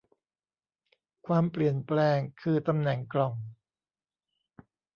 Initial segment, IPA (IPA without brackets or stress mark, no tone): kʰ